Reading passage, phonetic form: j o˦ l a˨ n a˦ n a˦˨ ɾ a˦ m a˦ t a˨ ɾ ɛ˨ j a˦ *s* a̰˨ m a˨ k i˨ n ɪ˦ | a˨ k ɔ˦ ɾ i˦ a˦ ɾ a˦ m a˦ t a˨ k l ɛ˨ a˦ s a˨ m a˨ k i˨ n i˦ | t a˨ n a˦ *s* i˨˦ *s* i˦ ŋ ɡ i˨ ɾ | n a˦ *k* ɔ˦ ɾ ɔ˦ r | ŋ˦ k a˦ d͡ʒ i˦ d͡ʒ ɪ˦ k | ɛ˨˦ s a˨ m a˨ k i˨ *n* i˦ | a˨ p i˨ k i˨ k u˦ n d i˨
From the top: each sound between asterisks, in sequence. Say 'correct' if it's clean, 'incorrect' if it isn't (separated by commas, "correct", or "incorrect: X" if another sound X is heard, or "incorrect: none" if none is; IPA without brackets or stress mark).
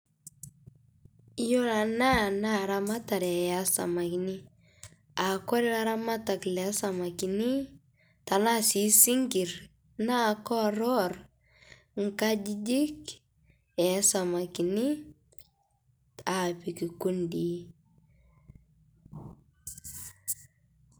correct, correct, correct, correct, correct